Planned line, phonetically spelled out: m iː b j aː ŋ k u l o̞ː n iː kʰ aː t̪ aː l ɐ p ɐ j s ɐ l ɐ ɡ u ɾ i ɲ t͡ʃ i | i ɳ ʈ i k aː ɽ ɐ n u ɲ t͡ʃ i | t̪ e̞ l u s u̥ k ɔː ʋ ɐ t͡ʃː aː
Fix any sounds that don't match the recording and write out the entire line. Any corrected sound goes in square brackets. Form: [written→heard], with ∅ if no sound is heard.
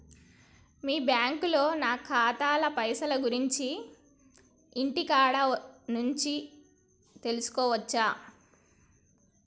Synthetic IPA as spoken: m iː b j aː ŋ k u l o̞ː n [iː→aː] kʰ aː t̪ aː l ɐ p ɐ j s ɐ l ɐ ɡ u ɾ i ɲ t͡ʃ i | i ɳ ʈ i k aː ɽ ɐ n u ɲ t͡ʃ i | t̪ e̞ l u s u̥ k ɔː ʋ ɐ t͡ʃː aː